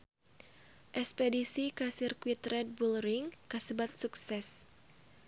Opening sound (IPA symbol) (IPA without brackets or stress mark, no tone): ʔ